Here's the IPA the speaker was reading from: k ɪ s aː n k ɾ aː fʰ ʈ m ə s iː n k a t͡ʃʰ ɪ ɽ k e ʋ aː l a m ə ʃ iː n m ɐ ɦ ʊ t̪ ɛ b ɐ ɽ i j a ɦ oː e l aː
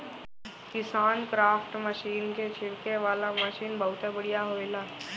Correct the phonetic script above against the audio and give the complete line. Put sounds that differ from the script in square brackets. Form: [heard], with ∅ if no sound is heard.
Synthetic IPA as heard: k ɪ s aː n k ɾ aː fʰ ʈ m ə [ʃ] iː n k [e] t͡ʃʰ ɪ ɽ k e ʋ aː l a m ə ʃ iː n [b] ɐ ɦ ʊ t̪ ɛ b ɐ ɽ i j a ɦ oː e l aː

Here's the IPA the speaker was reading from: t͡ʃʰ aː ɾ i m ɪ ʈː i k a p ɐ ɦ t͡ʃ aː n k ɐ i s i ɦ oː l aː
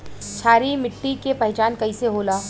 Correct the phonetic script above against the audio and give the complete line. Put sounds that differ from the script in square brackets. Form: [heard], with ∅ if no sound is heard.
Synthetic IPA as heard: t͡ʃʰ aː ɾ i m ɪ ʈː i k [e] p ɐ ɦ t͡ʃ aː n k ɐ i s [e] ɦ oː l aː

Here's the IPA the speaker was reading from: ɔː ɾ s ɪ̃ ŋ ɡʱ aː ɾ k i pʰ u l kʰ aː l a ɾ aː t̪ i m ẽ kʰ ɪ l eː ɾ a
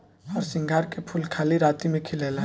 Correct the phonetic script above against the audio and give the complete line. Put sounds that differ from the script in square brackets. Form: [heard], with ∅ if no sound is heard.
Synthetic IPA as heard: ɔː ɾ s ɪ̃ ŋ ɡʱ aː ɾ k [e] pʰ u l kʰ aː l [i] ɾ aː t̪ i m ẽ kʰ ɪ l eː [l] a

